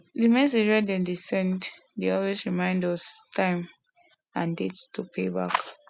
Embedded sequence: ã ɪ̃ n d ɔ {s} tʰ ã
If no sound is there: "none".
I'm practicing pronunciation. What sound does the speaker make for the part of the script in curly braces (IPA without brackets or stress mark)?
s